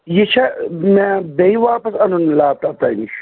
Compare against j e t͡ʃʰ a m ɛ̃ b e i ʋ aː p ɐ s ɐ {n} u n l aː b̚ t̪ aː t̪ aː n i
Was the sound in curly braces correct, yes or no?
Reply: yes